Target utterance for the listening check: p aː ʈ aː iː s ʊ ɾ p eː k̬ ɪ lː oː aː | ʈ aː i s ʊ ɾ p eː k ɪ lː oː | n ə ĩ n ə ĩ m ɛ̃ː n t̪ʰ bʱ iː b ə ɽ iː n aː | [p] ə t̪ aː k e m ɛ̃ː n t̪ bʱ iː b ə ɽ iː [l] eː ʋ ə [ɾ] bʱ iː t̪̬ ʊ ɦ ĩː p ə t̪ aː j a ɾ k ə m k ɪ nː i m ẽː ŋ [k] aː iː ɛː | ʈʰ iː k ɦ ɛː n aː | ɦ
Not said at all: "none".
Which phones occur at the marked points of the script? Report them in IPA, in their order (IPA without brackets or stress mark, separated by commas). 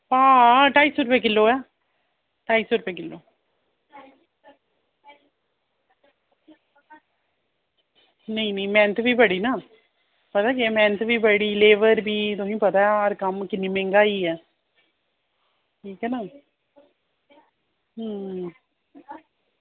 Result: p, l, ɾ, ɡ